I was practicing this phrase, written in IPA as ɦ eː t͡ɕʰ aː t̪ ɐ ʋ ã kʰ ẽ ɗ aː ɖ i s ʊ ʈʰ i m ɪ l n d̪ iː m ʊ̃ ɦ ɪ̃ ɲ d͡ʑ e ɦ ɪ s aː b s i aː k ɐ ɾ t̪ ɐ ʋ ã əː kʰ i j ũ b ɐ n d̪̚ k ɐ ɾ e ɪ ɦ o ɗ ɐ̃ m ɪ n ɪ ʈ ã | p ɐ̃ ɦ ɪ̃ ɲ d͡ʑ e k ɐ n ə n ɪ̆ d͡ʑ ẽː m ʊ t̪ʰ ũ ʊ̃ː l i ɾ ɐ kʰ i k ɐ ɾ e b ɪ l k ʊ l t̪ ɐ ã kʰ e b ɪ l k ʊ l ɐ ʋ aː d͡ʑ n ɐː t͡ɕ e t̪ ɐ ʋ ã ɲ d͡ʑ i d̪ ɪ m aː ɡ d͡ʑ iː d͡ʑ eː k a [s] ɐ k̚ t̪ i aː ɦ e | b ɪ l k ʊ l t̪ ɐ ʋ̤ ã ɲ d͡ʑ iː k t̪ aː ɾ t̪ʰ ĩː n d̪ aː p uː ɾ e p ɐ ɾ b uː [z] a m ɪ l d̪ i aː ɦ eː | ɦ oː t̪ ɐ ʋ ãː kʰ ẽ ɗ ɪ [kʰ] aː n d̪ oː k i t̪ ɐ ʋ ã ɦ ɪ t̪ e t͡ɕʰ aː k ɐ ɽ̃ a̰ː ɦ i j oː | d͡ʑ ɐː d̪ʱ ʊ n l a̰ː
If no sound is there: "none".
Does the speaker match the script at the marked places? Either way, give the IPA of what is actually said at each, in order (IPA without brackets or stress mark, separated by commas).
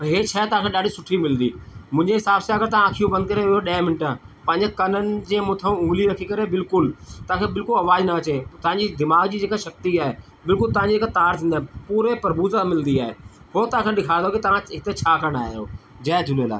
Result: ʃ, z, kʰ